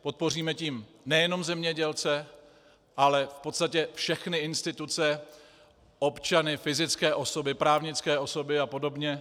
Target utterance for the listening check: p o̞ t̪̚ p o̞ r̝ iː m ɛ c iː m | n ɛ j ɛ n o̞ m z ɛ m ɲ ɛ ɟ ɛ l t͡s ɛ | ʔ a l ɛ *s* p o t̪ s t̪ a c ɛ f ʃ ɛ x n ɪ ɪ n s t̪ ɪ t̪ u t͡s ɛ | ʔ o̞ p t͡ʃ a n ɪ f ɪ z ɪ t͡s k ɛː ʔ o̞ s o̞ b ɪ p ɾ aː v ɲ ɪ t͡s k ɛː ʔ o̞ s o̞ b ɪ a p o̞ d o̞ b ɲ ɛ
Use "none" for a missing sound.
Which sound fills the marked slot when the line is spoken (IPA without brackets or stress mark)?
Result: f